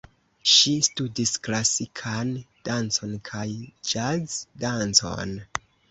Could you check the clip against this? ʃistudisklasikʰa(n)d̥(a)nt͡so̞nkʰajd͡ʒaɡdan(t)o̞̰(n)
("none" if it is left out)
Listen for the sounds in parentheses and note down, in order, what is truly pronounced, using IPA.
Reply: n, a, t͡s, n

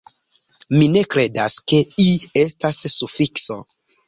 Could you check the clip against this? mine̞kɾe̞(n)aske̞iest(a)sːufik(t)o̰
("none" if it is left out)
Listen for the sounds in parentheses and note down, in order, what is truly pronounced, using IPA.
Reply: d, a, s

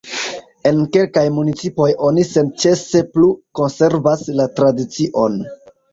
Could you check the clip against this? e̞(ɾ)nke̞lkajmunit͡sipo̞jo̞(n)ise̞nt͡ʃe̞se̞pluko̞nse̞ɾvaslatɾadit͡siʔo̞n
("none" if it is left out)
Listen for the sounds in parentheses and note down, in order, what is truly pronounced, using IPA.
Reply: none, n

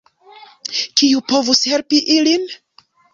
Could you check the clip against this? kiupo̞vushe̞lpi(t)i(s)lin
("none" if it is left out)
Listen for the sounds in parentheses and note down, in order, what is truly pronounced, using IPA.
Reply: ʔ, none

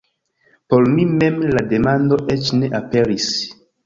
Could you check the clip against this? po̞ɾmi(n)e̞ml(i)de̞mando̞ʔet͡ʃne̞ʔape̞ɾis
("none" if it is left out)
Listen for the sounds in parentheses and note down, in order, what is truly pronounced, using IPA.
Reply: m, a

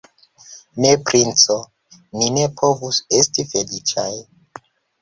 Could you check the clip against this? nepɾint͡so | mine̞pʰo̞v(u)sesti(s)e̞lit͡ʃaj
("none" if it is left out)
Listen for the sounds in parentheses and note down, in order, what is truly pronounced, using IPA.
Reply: u, f

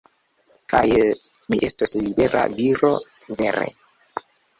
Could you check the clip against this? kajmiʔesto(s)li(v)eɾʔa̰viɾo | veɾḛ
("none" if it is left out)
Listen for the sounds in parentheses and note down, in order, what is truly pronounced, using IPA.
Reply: s, b

